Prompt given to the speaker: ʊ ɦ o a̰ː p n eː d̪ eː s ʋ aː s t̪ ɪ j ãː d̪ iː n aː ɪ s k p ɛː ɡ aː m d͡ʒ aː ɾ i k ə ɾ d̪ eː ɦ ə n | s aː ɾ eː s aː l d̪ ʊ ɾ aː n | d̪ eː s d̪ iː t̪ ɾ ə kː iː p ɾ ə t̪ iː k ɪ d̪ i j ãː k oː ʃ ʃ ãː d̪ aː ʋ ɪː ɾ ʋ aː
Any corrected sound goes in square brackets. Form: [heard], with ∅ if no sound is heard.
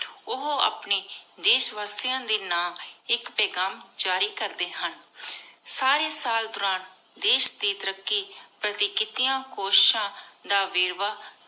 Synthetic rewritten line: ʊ ɦ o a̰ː p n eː d̪ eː [ʃ] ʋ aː s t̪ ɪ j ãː d̪ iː n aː ɪ [∅] k p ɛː ɡ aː m d͡ʒ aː ɾ [iː] k ə ɾ d̪ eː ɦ ə n | s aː ɾ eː s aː l d̪ ʊ ɾ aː n | d̪ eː [ʃ] d̪ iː t̪ ɾ ə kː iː p ɾ ə t̪ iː k ɪ [t̪] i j ãː k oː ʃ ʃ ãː d̪ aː ʋ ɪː ɾ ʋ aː